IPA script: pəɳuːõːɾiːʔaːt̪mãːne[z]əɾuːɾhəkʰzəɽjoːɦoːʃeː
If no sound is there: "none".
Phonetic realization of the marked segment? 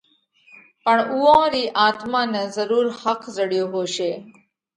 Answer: z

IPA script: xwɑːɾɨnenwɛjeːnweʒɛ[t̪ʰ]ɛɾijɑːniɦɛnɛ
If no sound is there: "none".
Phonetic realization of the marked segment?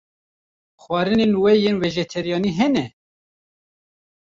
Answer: t̪ʰ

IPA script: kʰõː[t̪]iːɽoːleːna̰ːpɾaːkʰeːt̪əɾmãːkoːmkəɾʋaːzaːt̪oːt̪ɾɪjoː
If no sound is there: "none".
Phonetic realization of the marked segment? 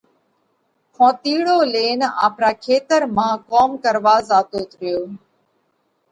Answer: t̪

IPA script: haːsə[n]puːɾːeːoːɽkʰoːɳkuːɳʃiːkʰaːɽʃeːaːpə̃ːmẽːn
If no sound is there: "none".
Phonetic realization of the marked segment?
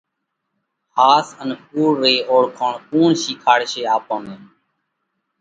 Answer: n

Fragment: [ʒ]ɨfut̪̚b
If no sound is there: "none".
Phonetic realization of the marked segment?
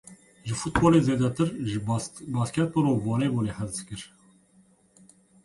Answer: ʒ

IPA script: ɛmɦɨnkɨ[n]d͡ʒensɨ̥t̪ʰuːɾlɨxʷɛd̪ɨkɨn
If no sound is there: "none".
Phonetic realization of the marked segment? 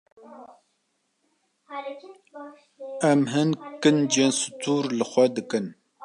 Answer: n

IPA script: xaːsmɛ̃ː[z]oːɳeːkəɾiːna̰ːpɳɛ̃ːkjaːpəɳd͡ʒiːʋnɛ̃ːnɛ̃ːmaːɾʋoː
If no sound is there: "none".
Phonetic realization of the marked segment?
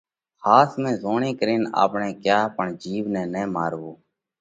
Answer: z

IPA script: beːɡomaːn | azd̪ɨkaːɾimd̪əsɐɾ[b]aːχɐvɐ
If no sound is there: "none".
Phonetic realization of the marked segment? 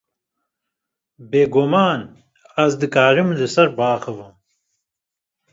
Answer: b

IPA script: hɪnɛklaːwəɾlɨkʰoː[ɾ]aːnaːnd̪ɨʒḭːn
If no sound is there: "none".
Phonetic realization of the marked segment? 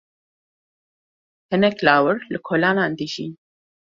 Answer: l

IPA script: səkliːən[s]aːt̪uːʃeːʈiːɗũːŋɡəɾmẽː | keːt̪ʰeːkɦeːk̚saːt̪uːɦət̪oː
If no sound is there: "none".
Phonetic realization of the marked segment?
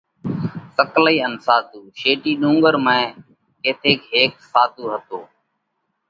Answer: s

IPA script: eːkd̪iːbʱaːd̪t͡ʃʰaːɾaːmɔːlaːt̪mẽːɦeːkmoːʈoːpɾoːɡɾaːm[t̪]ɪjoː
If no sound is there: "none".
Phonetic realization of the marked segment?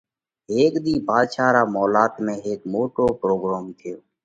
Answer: t̪ʰ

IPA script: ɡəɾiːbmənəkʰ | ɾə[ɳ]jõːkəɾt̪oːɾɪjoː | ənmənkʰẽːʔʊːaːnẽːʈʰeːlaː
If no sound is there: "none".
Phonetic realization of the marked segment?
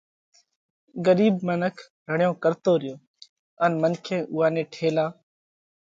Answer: ɳ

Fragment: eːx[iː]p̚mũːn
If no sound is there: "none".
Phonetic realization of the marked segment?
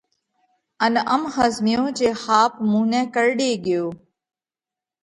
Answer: aː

